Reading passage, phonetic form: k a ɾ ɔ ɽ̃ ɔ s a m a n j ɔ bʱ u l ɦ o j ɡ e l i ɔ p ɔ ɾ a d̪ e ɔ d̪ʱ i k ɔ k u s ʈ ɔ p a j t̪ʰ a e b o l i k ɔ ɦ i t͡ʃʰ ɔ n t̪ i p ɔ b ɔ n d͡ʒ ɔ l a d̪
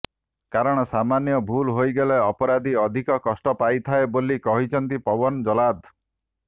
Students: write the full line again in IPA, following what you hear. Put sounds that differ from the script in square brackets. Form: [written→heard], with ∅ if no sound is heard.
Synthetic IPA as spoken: k a ɾ ɔ ɽ̃ ɔ s a m a n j ɔ bʱ u l ɦ o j ɡ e l [i→e] ɔ p ɔ ɾ a d̪ [e→i] ɔ d̪ʱ i k ɔ k [u→ɔ] s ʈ ɔ p a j t̪ʰ a e b o l i k ɔ ɦ i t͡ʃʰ ɔ n t̪ i p ɔ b ɔ n d͡ʒ ɔ l a d̪